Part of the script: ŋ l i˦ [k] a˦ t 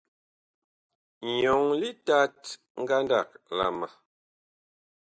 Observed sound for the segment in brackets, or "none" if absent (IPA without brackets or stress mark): t